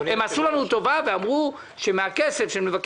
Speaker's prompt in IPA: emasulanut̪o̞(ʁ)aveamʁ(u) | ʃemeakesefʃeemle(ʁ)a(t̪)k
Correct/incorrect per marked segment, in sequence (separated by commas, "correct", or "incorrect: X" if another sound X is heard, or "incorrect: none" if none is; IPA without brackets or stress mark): incorrect: v, correct, incorrect: v, incorrect: none